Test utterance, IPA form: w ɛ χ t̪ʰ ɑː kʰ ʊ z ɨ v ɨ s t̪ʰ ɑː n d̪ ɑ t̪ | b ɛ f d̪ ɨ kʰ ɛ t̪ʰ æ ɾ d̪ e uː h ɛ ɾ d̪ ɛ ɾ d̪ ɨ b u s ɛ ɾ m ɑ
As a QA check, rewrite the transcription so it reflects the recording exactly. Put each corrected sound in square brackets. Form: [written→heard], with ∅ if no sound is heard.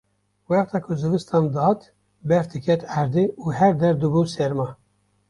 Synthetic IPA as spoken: w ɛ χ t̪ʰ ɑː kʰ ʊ z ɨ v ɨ s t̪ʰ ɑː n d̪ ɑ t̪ | b ɛ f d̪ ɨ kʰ ɛ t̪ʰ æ ɾ d̪ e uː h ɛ ɾ d̪ ɛ ɾ d̪ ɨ b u s ɛ ɾ m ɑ

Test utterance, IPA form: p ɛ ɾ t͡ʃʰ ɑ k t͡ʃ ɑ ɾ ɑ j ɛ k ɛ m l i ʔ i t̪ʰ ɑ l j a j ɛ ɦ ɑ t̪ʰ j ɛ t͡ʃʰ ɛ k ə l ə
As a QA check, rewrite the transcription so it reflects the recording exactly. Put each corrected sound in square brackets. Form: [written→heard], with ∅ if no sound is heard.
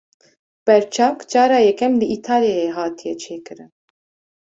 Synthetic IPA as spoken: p ɛ ɾ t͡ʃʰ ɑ k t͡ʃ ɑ ɾ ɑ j ɛ k ɛ m l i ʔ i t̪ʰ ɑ l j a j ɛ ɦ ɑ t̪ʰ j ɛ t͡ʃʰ ɛ k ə [l→ɾ] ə

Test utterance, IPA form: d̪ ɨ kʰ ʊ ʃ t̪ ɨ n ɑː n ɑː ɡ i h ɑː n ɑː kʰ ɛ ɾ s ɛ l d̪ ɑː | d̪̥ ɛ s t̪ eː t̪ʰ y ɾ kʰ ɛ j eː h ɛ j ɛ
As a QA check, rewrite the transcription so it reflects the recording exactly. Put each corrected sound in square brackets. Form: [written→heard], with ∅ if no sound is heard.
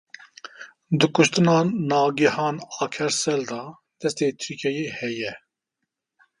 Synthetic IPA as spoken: d̪ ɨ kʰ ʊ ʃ t̪ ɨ n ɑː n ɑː ɡ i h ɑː n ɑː kʰ ɛ ɾ s ɛ l d̪ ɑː | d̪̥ ɛ s t̪ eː t̪ʰ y ɾ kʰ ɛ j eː h ɛ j ɛ

